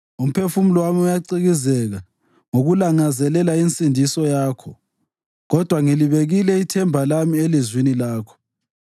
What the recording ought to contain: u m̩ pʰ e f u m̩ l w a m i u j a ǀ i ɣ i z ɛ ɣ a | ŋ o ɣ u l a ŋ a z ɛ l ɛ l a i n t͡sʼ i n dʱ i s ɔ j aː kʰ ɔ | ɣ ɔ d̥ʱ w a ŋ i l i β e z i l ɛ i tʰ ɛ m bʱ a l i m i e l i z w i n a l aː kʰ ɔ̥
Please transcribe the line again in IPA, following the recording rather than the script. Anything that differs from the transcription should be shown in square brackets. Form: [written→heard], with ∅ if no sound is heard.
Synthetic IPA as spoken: u m̩ pʰ e f u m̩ l w a m i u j a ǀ i ɣ i z ɛ ɣ a | ŋ o ɣ u l a ŋ a z ɛ l ɛ l a i n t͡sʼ i n dʱ i s ɔ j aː kʰ ɔ | ɣ ɔ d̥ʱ w a ŋ i l i β e [z→ɣ] i l ɛ i tʰ ɛ m bʱ a l [i→a] m i e l i z w i n [a→i] l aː kʰ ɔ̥

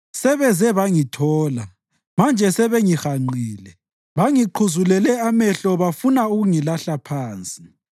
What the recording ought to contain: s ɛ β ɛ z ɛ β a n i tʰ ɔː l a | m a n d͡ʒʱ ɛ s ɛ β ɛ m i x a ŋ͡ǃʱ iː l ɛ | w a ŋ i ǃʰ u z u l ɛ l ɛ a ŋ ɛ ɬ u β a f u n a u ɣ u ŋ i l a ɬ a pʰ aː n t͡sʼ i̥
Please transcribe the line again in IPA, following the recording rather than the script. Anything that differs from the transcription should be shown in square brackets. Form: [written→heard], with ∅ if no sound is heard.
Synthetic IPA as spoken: s ɛ β ɛ z ɛ β a [n→ŋ] i tʰ ɔː l a | m a n d͡ʒʱ ɛ s ɛ β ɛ [m→ŋ] i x a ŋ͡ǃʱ iː l ɛ | [w→β] a ŋ i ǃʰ u z u l ɛ l ɛ a [ŋ→m] ɛ ɬ [u→ɔ] β a f u n a u ɣ u ŋ i l a ɬ a pʰ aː n t͡sʼ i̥

